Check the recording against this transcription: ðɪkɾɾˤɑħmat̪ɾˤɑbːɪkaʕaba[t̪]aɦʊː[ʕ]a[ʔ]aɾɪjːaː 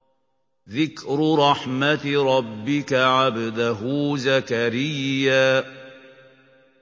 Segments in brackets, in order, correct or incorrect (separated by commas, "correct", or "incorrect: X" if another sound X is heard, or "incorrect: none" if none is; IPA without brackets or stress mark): incorrect: d̪, incorrect: z, incorrect: k